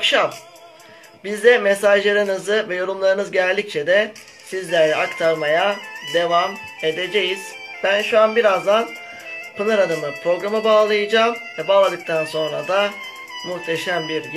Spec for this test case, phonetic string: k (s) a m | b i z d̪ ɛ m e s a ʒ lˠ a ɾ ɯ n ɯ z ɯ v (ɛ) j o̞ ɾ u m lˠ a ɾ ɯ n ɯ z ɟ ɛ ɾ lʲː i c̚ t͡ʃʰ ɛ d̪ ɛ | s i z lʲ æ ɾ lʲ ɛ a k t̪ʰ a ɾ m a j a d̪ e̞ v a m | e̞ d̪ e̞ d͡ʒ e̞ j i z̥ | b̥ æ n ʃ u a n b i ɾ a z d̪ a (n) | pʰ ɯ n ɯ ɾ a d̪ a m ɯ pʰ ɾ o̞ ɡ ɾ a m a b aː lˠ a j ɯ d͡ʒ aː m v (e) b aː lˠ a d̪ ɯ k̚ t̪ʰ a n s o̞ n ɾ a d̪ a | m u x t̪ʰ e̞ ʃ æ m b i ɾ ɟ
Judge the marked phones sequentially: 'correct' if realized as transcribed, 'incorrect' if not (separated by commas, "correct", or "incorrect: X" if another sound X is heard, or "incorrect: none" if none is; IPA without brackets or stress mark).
incorrect: ʃ, correct, correct, incorrect: ɛ